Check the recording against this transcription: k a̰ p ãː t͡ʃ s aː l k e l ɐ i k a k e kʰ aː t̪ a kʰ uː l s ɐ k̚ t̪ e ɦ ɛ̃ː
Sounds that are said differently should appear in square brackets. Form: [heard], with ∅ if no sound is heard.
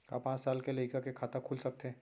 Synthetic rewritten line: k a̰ p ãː t͡ʃ s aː l k e l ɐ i k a k e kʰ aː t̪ a kʰ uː l s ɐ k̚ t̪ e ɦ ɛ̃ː